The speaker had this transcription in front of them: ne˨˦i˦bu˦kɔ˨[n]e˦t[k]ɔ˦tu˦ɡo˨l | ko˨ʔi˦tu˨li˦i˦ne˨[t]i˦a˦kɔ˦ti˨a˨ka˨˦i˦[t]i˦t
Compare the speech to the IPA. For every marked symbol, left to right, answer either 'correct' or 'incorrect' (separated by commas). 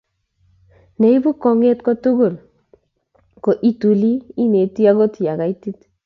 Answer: incorrect, correct, correct, correct